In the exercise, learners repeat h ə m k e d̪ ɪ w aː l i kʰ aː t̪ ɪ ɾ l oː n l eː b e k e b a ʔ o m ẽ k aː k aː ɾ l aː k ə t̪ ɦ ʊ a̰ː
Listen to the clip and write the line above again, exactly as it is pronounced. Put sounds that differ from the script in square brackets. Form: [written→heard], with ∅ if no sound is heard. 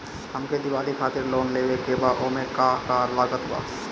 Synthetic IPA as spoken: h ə m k e d̪ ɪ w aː l i kʰ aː t̪ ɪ ɾ l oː n l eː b e k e b a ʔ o m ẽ k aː k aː ɾ l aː [k→ɡ] ə t̪ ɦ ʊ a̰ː